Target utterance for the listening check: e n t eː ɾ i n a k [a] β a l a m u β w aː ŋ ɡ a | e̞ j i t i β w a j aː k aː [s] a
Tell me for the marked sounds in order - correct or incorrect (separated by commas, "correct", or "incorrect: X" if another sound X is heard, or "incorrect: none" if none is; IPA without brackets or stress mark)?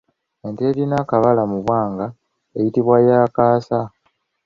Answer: correct, correct